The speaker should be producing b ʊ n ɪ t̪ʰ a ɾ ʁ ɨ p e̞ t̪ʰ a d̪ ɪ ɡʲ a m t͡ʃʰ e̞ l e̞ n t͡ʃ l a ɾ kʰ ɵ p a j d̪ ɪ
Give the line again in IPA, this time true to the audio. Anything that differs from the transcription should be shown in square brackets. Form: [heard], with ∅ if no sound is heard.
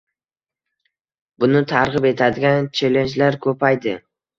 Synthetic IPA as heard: b ʊ n ɪ t̪ʰ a ɾ ʁ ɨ p e̞ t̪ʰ a d̪ ɪ ɡʲ a [n] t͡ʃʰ e̞ l e̞ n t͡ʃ l a ɾ kʰ ɵ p a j d̪ ɪ

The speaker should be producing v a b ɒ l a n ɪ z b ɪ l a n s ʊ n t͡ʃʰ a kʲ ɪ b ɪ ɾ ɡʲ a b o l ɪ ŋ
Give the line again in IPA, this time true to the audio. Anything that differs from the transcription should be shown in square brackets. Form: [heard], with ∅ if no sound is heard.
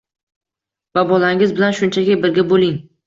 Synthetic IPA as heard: v a b ɒ l a [ŋ] ɪ z b ɪ l a n [ʃ] ʊ n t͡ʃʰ a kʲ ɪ b ɪ ɾ ɡʲ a b o l ɪ ŋ

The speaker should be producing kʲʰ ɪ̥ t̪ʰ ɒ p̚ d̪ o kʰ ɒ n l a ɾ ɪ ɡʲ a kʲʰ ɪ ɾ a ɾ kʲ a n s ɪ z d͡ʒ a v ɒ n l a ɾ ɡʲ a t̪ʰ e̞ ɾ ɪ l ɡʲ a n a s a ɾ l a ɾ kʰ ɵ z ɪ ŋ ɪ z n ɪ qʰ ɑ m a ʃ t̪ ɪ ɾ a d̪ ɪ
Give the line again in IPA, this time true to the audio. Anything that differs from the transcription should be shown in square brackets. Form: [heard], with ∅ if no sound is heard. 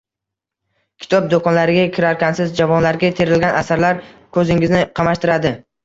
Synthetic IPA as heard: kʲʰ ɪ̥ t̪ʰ ɒ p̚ d̪ o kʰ ɒ n l a ɾ ɪ ɡʲ a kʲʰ ɪ ɾ a ɾ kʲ a n s ɪ z d͡ʒ a v ɒ n l a ɾ ɡʲ a t̪ʰ e̞ ɾ ɪ l ɡʲ a n a s a ɾ l a ɾ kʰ ɵ z ɪ ŋ ɪ z n ɪ qʰ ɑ m a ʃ t̪ ɪ ɾ a d̪ ɪ

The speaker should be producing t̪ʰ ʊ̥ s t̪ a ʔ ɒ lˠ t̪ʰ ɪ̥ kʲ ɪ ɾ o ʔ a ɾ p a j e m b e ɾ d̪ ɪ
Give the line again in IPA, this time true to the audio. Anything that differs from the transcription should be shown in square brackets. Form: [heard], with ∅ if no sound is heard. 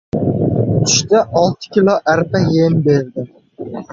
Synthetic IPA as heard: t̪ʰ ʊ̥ [ʃ] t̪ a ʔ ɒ lˠ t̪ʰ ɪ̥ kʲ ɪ [l] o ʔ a ɾ p a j e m b e ɾ d̪ ɪ

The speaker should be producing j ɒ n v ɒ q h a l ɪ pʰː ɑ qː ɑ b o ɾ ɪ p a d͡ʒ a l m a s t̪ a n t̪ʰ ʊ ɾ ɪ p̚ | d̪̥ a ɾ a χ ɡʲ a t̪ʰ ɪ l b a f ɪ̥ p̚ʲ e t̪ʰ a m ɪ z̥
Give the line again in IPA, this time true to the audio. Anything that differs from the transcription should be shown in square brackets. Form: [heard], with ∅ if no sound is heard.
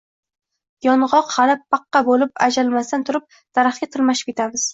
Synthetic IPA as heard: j ɒ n [ʁ] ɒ q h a l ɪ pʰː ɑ qː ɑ b o [l] ɪ p a d͡ʒ a l m a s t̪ a n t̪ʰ ʊ ɾ ɪ p̚ | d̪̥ a ɾ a χ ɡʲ a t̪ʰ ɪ l [m] a [ʃ] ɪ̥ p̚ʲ e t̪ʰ a m ɪ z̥

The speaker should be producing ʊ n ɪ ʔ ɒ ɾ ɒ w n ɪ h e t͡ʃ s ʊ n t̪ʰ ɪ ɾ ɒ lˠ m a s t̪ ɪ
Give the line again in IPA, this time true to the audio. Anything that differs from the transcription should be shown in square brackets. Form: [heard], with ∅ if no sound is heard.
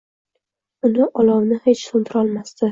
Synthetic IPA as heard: ʊ n ɪ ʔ ɒ [l] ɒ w n ɪ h e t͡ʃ s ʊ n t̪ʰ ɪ ɾ ɒ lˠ m a s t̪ ɪ

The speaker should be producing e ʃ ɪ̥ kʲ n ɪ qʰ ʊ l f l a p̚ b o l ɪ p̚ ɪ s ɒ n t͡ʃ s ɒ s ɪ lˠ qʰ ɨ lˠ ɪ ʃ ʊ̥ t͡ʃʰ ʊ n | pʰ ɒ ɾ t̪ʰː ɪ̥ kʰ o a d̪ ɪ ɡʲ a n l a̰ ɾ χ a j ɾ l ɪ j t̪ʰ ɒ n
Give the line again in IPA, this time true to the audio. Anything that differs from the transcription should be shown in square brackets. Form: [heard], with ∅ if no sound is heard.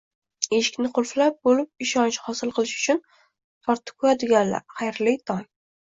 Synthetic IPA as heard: e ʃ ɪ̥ kʲ n ɪ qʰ ʊ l f l a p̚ b o l ɪ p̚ ɪ [ʃ] ɒ n t͡ʃ [h] ɒ s ɪ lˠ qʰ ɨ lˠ ɪ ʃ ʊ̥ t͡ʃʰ ʊ n | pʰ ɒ ɾ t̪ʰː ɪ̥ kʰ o a d̪ ɪ ɡʲ a n l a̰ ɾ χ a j ɾ l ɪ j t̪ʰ ɒ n

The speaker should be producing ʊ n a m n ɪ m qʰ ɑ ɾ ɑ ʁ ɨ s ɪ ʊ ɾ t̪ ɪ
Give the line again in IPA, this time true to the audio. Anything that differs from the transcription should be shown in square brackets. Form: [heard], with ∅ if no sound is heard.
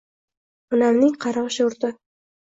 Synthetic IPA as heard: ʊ n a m n ɪ [ŋ] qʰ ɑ ɾ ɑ ʁ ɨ [ʃ] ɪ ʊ ɾ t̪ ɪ

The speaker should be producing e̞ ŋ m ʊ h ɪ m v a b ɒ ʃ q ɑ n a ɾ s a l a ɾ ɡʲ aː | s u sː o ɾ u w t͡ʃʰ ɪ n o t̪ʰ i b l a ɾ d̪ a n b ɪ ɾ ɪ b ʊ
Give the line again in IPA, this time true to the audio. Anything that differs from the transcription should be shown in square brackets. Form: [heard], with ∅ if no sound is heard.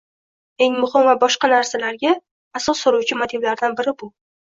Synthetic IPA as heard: e̞ ŋ m ʊ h ɪ m v a b ɒ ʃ q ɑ n a ɾ s a l a ɾ ɡʲ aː | s [ɒ] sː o ɾ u w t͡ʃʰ ɪ [m] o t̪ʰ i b l a ɾ d̪ a n b ɪ ɾ ɪ b ʊ

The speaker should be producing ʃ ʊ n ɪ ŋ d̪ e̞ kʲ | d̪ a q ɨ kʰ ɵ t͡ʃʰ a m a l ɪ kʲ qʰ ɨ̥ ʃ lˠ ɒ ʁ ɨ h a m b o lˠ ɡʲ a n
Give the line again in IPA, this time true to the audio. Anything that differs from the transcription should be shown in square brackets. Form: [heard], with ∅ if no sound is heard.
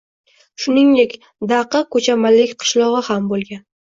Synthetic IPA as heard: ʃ ʊ n ɪ ŋ d̪ e̞ kʲ | d̪ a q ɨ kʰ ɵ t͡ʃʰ a m a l ɪ kʲ qʰ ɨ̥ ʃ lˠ ɒ ʁ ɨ h a m b o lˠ ɡʲ a n

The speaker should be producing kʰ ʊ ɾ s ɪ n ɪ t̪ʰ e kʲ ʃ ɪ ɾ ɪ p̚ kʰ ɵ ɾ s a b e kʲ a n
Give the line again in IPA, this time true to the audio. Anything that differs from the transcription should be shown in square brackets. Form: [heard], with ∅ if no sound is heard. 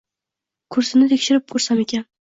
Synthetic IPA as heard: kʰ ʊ ɾ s ɪ n ɪ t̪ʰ e kʲ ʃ ɪ ɾ ɪ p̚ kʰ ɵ ɾ s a [m] e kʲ a n

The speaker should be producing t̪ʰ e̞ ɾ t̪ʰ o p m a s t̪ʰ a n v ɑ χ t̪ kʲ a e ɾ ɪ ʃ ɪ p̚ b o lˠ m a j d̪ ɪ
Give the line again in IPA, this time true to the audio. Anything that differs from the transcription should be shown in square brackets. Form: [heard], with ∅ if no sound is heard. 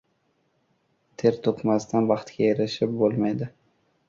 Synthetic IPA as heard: t̪ʰ e̞ ɾ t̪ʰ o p m a s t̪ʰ a n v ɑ χ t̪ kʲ a e ɾ ɪ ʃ ɪ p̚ b o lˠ m a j d̪ ɪ

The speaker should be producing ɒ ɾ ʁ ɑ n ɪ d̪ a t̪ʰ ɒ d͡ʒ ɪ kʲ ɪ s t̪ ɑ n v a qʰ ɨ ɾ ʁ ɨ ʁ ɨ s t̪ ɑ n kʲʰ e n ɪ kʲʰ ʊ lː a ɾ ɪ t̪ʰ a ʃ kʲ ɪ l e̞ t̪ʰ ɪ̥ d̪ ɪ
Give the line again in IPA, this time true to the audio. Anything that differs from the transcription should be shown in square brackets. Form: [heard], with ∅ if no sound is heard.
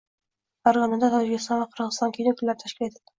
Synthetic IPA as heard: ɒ ɾ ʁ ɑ n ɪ d̪ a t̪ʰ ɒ d͡ʒ ɪ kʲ ɪ s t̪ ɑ n v a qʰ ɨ ɾ ʁ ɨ [z] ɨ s t̪ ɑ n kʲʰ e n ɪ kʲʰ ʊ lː a ɾ ɪ t̪ʰ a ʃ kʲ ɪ l e̞ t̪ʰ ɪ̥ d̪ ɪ

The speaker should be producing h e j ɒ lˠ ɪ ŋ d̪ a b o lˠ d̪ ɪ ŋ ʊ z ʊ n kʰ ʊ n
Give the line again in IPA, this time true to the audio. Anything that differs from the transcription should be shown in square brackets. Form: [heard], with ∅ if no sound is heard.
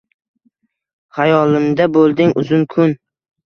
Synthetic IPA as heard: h [a] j ɒ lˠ ɪ [m] d̪ a b o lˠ d̪ ɪ ŋ ʊ z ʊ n kʰ ʊ n

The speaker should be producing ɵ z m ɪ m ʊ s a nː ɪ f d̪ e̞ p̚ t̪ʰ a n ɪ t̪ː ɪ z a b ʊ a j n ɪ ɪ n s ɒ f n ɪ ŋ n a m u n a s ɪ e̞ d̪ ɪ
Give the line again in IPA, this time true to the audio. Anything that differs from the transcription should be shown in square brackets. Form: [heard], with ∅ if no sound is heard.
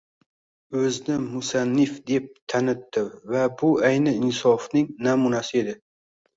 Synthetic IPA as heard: ɵ z [n] ɪ m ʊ s a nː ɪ f d̪ e̞ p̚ t̪ʰ a n ɪ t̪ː ɪ [v] a b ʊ a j n ɪ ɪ n s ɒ f n ɪ ŋ n a m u n a s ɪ e̞ d̪ ɪ

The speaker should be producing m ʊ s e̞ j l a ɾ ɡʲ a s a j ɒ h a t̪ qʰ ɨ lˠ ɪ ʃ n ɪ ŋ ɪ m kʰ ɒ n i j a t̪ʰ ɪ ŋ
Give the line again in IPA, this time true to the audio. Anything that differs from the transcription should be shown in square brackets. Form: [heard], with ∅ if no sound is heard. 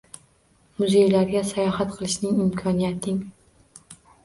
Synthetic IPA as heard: m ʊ [z] e̞ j l a ɾ ɡʲ a s a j ɒ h a t̪ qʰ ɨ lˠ ɪ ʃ n ɪ ŋ ɪ m kʰ ɒ n i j a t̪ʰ ɪ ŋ

